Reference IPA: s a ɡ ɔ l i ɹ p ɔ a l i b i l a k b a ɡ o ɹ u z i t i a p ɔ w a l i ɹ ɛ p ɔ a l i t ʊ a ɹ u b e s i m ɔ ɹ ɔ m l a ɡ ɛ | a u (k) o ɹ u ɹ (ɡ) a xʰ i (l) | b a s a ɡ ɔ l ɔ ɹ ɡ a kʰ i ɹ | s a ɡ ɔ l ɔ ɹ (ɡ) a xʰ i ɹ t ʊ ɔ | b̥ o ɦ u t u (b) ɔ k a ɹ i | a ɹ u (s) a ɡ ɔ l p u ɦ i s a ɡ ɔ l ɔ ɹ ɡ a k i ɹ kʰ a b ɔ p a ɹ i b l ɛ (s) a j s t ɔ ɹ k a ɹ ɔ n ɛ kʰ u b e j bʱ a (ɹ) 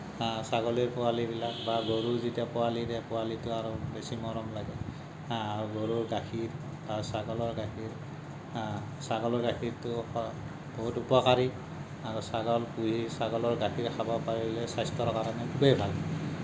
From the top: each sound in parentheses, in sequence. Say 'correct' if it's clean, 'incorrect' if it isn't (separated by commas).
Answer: incorrect, correct, incorrect, correct, incorrect, correct, correct, incorrect